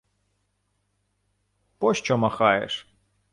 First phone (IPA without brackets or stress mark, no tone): p